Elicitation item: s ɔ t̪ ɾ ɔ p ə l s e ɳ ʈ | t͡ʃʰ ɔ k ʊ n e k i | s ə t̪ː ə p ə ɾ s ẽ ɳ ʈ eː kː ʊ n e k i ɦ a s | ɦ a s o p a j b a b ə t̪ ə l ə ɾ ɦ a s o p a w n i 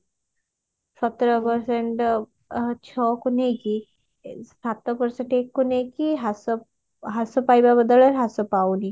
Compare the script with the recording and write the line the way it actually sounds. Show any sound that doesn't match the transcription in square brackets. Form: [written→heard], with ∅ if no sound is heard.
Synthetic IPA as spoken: s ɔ t̪ ɾ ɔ p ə [l→ɾ] s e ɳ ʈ | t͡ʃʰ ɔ k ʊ n e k i | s [ə→a] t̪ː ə p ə ɾ s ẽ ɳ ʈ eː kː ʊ n e k i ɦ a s | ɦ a s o p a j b a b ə [t̪→d̪] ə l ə ɾ ɦ a s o p a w n i